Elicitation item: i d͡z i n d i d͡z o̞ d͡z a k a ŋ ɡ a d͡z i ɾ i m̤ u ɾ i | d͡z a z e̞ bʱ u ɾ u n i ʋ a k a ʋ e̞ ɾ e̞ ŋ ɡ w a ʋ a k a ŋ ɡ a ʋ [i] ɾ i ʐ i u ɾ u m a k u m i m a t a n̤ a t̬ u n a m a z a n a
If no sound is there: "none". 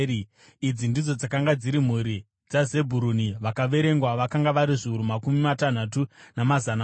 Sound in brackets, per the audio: a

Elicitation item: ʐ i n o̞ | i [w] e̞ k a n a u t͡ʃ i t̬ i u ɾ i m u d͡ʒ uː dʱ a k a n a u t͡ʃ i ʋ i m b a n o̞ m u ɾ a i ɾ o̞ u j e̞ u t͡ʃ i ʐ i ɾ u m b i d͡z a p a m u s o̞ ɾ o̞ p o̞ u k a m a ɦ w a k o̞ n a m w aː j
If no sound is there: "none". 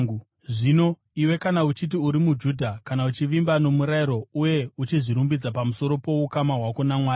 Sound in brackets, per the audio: w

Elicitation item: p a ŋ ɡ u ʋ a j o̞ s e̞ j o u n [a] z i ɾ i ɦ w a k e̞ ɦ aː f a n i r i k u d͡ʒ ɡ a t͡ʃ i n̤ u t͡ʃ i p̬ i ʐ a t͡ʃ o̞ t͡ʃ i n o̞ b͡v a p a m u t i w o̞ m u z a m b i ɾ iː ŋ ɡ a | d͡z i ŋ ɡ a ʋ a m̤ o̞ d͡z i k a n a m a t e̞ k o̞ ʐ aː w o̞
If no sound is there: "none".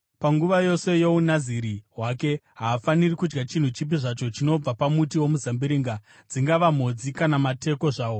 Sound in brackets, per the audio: a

